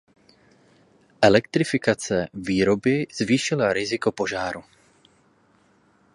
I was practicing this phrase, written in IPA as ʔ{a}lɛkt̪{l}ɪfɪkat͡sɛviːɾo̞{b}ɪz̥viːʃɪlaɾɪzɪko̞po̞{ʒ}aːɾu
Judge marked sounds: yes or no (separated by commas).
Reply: no, no, yes, yes